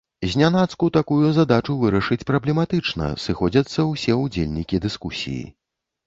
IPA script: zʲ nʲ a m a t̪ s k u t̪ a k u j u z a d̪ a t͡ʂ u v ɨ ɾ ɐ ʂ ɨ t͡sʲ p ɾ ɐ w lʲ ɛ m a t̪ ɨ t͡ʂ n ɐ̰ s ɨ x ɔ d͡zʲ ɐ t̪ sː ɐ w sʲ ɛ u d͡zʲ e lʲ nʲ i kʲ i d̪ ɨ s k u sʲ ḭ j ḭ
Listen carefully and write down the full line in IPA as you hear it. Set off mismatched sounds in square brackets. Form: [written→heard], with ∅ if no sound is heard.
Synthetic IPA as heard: zʲ nʲ a [m→n] a t̪ s k u t̪ a k u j u z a d̪ a t͡ʂ u v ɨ ɾ ɐ ʂ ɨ t͡sʲ p ɾ ɐ [w→b] lʲ ɛ m a t̪ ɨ t͡ʂ n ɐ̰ s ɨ x ɔ d͡zʲ ɐ t̪ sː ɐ w sʲ ɛ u d͡zʲ e lʲ nʲ i kʲ i d̪ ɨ s k u sʲ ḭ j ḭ